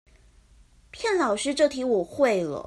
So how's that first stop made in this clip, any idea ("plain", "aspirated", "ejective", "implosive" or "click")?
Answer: aspirated